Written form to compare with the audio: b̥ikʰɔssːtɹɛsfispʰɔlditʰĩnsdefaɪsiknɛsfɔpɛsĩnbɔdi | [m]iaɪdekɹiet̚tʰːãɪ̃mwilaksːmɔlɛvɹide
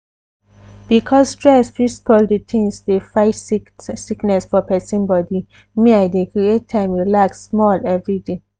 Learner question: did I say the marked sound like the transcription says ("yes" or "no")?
yes